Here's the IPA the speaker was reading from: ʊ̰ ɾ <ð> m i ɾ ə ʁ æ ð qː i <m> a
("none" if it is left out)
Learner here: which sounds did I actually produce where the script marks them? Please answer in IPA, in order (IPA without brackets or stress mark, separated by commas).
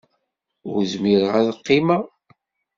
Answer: z, m